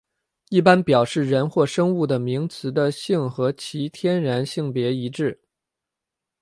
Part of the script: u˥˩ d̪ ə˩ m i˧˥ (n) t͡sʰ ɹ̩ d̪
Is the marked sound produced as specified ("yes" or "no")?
no